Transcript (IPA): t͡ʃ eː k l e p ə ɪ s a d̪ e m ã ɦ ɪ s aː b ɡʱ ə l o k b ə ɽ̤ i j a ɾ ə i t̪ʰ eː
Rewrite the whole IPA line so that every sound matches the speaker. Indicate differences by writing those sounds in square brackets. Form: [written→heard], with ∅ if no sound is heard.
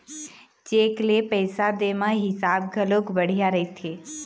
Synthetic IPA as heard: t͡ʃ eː k l e p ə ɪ s a d̪ e m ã ɦ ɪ s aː b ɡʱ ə l o k b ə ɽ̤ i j a ɾ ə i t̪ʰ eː

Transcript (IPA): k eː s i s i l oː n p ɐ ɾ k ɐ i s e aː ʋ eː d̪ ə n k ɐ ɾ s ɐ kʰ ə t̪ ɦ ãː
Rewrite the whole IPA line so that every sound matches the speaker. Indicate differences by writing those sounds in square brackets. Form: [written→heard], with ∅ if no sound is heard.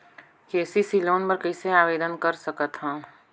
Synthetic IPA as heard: k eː s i s i l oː n p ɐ ɾ k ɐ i s e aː ʋ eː d̪ ə n k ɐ ɾ s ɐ [kʰ→k] ə t̪ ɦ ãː

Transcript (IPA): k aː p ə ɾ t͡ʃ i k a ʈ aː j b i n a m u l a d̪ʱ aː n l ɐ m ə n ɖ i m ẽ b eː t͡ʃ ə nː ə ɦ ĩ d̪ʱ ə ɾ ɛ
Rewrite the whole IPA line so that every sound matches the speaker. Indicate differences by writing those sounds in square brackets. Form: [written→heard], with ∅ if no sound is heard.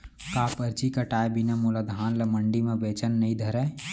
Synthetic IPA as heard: k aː p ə ɾ t͡ʃ i k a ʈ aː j b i n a m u l a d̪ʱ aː n l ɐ m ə [n→ɳ] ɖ i m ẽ b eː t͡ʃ ə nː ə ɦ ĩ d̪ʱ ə ɾ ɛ

